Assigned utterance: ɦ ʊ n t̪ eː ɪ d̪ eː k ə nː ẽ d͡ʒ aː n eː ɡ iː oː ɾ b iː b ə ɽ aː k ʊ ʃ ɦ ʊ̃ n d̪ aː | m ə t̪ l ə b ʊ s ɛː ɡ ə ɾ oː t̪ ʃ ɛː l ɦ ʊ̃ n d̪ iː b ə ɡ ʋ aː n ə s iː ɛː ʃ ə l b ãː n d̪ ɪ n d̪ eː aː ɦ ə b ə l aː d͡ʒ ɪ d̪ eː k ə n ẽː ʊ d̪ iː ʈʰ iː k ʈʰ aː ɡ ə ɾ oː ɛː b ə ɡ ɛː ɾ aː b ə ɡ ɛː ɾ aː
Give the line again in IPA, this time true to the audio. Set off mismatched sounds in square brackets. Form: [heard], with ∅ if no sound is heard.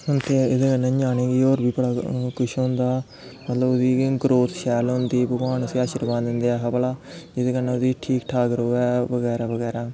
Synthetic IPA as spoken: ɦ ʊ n t̪ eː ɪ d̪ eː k ə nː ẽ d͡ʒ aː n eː ɡ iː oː ɾ b iː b ə ɽ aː k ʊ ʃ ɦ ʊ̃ n d̪ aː | m ə t̪ l ə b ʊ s [iː] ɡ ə ɾ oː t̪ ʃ ɛː l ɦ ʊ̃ n d̪ iː b ə ɡ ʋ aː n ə s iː [aː] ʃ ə [ɾ] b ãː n d̪ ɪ n d̪ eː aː ɦ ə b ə l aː d͡ʒ ɪ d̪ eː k ə n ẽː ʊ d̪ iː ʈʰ iː k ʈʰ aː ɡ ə ɾ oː ɛː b ə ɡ ɛː ɾ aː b ə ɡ ɛː ɾ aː